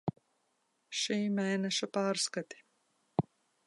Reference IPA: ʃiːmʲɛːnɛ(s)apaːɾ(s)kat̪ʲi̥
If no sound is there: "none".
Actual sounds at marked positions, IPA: ʃ, s

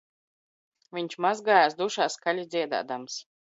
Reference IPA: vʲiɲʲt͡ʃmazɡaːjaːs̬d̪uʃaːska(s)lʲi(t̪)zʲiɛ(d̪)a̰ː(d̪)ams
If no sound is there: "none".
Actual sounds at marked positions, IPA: none, d̪, d̪, d̪

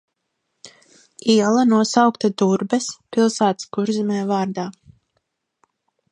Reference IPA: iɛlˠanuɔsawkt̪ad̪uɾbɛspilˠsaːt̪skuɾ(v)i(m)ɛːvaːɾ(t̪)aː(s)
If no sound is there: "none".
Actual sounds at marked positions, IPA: z, m, d̪, none

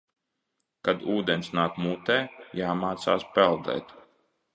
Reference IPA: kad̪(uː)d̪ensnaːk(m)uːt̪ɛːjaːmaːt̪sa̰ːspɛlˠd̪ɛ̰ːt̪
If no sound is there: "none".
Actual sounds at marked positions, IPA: uː, m

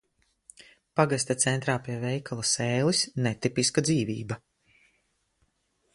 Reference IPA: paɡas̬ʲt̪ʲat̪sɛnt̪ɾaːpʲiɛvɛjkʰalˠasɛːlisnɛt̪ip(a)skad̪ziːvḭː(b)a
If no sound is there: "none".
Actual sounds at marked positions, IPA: i, b

